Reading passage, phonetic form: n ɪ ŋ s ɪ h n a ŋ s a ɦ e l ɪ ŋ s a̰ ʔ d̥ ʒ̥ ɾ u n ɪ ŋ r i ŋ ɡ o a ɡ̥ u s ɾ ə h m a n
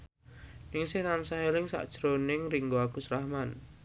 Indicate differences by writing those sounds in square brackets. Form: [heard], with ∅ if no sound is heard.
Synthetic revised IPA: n ɪ ŋ s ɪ h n a [n] s a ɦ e l ɪ ŋ s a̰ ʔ d̥ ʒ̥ ɾ [o] n ɪ ŋ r i ŋ ɡ o a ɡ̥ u s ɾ [a] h m a n